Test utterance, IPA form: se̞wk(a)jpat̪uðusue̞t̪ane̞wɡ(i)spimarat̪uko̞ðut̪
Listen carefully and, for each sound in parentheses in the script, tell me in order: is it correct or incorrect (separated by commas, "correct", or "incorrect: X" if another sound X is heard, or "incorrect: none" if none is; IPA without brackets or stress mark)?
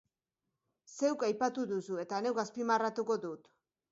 correct, incorrect: a